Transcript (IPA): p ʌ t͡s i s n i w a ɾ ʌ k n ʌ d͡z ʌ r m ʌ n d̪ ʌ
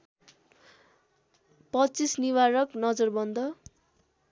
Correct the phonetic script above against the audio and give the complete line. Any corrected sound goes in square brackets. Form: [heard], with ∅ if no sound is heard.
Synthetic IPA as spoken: p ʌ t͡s i s n i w a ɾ ʌ k n ʌ d͡z ʌ r [b] ʌ n d̪ ʌ

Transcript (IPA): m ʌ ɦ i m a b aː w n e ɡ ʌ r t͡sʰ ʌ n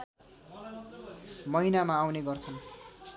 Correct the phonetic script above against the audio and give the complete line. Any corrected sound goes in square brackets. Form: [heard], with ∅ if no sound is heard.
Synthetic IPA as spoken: m ʌ ɦ i [n] a [m] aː w n e ɡ ʌ r t͡sʰ ʌ n

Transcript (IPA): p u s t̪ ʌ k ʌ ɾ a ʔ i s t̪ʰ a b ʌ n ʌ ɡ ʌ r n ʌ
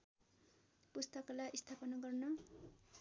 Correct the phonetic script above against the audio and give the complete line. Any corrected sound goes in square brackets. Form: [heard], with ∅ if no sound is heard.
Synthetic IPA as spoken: p u s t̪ ʌ k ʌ [l] a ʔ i s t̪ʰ a [p] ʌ n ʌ ɡ ʌ r n ʌ

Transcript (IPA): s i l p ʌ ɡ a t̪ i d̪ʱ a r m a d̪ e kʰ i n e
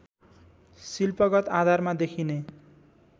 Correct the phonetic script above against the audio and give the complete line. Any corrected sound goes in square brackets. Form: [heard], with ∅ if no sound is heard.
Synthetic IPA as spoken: s i l p ʌ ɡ [ʌ] t̪ [a] d̪ʱ a r m a d̪ e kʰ i n e

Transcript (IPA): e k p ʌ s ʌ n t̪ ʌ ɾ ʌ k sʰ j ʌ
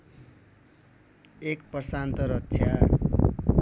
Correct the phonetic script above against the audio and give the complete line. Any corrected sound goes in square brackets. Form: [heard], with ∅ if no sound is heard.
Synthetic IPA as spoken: e k p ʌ s [a] n t̪ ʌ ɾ ʌ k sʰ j [a]

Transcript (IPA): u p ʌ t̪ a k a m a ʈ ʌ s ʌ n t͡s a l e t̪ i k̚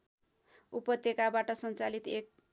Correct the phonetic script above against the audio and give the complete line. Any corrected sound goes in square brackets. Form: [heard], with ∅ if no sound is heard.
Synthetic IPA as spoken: u p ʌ t̪ [e] k a [b] a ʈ ʌ s ʌ n t͡s a l [i] t̪ [e] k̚

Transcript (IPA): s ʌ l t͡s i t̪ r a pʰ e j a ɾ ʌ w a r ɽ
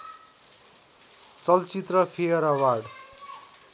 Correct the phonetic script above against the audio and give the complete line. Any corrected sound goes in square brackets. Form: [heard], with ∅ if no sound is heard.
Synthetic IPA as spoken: [t͡s] ʌ l t͡s i t̪ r [ʌ] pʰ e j [ʌ] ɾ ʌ w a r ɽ

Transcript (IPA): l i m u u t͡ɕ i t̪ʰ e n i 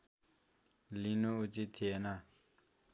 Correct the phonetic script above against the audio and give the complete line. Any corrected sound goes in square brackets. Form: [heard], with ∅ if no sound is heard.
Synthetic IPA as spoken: l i [n] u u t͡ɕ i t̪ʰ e n [a]

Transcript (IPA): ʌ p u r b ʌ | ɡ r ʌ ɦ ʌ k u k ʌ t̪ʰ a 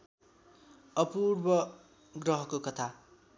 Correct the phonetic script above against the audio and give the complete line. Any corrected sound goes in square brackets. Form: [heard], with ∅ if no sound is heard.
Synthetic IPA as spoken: ʌ p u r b ʌ | ɡ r ʌ ɦ ʌ k [o] k ʌ t̪ʰ a

